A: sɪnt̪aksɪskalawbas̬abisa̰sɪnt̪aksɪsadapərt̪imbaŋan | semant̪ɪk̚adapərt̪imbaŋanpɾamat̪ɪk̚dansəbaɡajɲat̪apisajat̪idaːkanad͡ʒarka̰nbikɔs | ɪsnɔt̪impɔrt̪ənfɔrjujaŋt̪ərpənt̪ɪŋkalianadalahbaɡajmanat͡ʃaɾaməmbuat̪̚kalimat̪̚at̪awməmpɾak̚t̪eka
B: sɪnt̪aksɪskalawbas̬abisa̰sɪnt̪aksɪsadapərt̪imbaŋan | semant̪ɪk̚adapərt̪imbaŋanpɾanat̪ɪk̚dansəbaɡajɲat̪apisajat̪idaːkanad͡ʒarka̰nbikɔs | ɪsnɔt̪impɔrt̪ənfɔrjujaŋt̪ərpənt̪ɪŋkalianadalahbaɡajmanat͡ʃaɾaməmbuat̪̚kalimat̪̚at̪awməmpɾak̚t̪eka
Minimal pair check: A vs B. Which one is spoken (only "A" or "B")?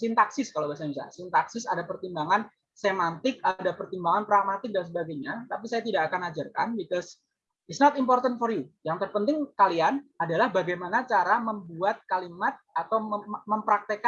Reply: A